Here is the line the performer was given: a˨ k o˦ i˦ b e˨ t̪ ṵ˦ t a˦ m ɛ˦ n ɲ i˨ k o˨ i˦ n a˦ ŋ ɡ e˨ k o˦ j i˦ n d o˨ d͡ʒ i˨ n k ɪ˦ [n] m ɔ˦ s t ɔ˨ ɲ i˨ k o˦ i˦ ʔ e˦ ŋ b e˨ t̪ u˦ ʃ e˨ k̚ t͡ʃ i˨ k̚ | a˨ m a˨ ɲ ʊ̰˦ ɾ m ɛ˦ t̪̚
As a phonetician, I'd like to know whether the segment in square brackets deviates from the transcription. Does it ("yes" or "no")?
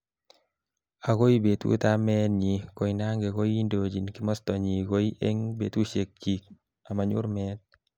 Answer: yes